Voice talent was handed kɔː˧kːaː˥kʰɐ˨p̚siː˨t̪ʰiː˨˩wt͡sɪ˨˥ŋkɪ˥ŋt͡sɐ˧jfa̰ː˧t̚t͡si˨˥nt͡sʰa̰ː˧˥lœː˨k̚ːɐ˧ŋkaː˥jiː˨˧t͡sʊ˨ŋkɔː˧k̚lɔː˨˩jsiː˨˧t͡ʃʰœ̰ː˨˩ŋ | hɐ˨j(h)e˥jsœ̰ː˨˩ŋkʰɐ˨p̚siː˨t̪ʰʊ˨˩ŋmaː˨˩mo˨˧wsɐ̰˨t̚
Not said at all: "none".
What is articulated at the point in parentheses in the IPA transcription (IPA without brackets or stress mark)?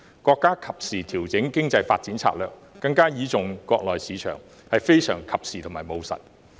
f